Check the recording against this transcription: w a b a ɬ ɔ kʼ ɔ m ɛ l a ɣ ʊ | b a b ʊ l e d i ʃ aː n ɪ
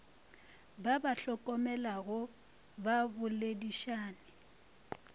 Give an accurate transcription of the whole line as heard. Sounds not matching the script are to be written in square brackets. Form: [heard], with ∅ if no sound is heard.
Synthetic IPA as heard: [b] a b a ɬ ɔ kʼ ɔ m ɛ l a ɣ ʊ | b a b ʊ l e d i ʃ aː n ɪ